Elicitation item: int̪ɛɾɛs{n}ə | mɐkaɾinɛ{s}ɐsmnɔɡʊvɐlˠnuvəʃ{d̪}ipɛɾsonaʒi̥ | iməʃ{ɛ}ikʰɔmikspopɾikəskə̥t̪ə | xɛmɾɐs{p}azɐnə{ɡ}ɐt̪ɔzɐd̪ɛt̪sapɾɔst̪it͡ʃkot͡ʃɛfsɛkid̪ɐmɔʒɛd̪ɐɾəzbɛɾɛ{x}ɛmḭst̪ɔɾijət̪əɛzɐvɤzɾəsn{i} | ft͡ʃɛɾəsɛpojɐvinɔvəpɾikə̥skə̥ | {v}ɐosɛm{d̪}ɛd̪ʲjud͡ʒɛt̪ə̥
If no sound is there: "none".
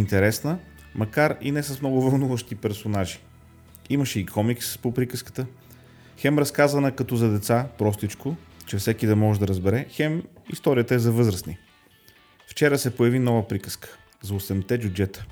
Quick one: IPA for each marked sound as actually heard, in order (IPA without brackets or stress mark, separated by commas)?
n, s, t̪, ɛ, k, k, x, i, z, t̪